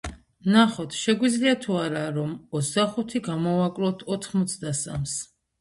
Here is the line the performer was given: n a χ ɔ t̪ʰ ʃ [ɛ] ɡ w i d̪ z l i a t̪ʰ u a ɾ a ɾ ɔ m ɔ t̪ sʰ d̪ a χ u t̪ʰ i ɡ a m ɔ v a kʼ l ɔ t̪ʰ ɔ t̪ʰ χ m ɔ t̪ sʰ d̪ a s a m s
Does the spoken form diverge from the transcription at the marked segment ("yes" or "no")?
no